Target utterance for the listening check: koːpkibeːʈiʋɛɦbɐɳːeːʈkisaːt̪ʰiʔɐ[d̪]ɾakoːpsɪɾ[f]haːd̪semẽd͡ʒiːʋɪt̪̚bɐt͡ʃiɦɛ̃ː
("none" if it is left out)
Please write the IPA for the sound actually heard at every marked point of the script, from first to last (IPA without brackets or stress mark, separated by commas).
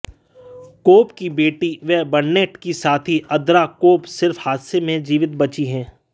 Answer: d̪, f